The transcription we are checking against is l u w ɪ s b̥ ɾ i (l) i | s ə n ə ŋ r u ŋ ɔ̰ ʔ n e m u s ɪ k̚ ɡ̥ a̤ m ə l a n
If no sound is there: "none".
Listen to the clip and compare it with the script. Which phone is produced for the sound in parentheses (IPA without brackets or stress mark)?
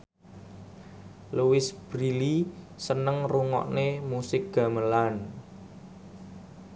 l